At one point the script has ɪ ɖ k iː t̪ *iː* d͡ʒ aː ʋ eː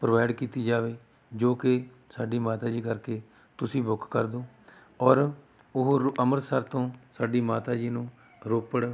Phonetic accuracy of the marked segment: correct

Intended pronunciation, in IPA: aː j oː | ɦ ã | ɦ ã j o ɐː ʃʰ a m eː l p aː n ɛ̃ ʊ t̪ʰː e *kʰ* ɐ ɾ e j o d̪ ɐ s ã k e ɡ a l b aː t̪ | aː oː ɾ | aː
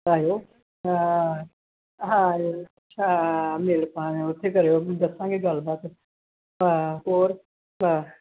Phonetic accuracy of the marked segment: incorrect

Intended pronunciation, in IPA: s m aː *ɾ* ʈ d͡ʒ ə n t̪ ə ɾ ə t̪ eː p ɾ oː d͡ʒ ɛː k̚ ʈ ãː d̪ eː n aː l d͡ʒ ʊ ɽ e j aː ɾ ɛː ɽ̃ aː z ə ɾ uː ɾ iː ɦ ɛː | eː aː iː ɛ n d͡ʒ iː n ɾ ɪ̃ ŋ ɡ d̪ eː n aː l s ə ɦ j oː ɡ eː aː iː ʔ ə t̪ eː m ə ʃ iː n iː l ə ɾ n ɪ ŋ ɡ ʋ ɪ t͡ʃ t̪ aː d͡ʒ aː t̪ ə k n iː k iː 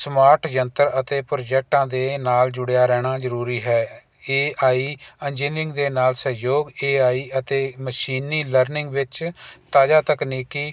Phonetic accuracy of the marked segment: correct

